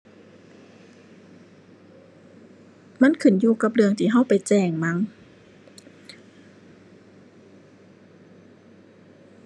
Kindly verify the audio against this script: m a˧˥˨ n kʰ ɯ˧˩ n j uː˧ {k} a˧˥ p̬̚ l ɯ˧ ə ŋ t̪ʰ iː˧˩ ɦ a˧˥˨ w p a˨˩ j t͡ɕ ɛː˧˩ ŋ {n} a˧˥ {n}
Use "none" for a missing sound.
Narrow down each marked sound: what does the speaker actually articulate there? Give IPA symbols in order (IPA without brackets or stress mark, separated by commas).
k, m, ŋ